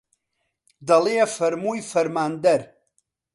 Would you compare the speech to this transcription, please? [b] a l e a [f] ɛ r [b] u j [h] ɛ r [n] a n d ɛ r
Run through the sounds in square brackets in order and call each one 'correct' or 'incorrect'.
incorrect: d, correct, incorrect: m, incorrect: f, incorrect: m

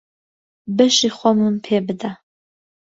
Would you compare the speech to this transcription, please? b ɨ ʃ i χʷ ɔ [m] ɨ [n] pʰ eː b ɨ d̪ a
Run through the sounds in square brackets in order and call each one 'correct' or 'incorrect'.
correct, incorrect: m

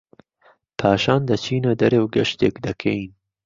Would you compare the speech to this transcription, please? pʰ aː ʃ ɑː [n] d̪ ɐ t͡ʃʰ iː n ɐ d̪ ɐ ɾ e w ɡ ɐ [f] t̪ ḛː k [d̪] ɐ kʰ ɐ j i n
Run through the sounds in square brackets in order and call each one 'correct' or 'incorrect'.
correct, incorrect: ʃ, correct

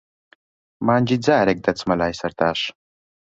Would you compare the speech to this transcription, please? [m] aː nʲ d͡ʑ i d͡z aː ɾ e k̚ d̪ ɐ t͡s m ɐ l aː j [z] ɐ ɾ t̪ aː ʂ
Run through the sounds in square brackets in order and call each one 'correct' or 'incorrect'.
correct, incorrect: s

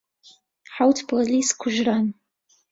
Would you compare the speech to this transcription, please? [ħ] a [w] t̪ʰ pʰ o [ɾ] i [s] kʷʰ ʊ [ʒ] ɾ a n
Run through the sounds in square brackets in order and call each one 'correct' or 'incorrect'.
correct, correct, incorrect: l, correct, correct

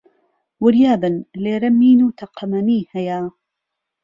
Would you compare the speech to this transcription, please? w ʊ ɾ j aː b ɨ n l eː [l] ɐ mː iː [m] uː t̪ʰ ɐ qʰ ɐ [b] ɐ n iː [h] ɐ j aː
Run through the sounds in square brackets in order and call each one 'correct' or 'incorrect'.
incorrect: ɾ, incorrect: n, incorrect: m, correct

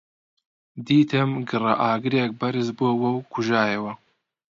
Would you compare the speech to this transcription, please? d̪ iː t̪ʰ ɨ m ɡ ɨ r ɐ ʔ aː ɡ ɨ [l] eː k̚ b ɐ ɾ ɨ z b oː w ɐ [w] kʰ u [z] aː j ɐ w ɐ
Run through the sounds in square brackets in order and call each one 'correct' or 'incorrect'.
incorrect: ɾ, correct, incorrect: ʒ

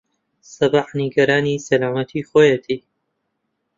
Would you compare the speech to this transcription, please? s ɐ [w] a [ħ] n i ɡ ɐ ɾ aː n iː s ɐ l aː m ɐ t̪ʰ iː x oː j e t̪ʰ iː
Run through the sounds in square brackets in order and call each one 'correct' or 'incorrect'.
incorrect: b, correct

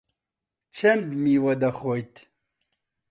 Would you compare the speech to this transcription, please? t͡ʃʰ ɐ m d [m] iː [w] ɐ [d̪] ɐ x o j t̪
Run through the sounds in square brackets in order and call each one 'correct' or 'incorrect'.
correct, correct, correct

